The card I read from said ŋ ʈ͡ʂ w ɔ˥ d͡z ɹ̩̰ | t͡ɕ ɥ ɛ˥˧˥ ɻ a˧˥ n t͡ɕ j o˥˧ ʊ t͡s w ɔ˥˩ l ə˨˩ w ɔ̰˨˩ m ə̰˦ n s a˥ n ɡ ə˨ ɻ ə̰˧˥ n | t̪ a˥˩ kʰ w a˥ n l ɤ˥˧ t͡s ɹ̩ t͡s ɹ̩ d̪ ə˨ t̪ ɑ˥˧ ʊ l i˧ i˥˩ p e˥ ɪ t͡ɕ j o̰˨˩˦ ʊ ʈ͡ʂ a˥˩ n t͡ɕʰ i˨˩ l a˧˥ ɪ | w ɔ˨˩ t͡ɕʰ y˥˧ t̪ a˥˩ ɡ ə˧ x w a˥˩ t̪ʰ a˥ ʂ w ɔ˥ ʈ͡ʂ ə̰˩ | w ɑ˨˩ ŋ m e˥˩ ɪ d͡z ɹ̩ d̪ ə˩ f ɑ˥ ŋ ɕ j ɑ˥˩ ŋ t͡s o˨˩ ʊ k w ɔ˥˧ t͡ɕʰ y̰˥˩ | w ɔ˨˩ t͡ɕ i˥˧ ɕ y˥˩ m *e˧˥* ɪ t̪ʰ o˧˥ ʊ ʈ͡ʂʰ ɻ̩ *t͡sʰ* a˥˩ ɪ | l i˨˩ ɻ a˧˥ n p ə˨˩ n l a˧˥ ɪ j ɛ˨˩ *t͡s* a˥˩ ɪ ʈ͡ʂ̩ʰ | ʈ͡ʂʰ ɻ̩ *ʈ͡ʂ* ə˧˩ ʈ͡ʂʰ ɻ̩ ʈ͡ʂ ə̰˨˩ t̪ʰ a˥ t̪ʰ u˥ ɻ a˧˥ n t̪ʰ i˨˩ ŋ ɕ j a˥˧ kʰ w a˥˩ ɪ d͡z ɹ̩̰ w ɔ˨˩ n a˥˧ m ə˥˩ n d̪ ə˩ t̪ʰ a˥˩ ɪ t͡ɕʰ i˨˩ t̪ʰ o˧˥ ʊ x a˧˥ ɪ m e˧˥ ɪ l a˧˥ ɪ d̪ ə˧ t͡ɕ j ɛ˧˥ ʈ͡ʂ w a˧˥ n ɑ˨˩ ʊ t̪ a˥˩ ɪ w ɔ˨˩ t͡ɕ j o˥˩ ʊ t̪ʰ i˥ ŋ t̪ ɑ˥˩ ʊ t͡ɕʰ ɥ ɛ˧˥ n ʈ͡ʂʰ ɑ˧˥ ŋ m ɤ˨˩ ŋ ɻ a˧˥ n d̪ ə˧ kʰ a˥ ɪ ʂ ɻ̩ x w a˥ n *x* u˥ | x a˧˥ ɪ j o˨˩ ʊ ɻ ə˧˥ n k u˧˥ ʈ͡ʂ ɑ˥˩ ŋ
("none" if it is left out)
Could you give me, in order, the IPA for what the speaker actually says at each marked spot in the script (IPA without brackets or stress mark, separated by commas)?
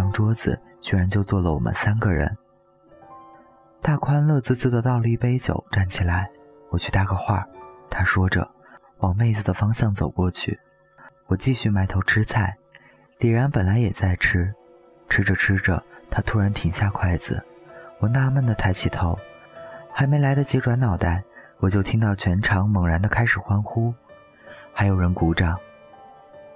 a˧˥, t͡sʰ, t͡s, ʈ͡ʂ, x